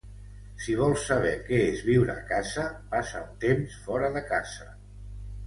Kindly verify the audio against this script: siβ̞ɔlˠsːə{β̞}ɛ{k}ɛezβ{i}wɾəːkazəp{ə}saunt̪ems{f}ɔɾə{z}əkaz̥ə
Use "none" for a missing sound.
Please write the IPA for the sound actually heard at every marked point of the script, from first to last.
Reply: β̞, k, i, a, f, ð

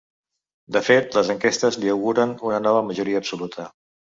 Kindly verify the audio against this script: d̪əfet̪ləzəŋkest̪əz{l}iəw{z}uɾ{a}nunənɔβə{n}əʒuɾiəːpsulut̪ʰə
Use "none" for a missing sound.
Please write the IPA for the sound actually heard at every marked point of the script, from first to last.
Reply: l, ɣ, ə, m

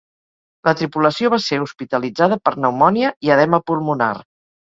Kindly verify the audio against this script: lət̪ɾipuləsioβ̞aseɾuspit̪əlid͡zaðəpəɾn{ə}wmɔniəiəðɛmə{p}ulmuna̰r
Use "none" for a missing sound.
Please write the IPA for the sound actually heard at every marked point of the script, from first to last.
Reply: ə, p

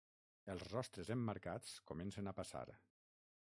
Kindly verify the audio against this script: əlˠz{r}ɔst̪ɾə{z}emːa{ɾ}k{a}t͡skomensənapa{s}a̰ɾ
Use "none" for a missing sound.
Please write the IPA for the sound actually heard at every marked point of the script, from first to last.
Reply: r, z, ɾ, a, s

